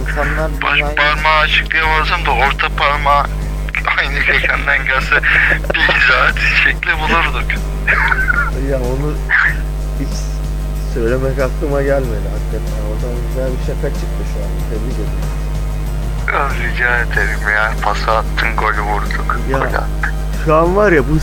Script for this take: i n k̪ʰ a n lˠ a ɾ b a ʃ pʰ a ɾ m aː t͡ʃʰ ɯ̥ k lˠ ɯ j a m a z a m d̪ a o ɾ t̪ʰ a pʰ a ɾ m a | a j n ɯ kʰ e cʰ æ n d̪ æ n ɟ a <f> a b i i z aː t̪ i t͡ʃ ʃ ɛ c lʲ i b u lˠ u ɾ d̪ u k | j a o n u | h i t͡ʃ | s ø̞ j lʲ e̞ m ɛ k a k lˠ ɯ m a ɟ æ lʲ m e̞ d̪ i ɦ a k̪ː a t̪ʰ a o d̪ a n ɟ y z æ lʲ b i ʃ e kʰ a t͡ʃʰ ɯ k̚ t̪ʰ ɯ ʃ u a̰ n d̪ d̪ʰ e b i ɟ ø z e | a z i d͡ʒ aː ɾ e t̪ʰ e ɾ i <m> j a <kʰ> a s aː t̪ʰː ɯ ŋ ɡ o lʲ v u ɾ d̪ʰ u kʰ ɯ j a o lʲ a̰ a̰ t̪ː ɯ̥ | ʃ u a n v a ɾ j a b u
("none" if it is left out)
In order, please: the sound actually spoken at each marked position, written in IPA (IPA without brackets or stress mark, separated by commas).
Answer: s, m, pʰ